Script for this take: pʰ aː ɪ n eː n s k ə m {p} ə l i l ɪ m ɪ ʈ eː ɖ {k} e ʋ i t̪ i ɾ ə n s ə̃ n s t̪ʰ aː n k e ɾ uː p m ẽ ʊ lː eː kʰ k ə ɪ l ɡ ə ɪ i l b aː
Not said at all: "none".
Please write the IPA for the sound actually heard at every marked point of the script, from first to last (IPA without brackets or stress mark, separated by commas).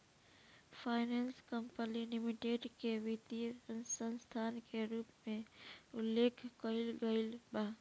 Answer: p, k